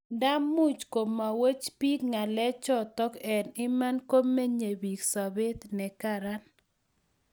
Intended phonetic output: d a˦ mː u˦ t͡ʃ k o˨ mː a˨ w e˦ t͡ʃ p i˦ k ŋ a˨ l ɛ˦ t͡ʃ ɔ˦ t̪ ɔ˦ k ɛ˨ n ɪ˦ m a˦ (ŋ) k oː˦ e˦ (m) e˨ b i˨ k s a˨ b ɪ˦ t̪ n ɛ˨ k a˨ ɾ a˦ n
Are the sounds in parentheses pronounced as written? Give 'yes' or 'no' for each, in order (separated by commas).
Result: no, no